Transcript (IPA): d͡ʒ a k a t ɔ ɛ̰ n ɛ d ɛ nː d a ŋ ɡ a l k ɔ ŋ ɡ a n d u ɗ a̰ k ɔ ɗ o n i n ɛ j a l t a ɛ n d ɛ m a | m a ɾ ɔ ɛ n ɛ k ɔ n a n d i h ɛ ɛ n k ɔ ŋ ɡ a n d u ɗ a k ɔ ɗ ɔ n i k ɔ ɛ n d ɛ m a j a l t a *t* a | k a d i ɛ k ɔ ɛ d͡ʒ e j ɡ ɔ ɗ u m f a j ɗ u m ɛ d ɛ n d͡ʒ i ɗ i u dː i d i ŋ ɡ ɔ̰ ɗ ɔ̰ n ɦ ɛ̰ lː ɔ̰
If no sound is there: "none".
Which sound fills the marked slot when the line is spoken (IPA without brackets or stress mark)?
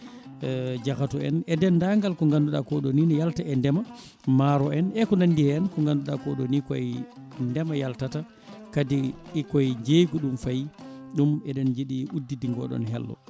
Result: t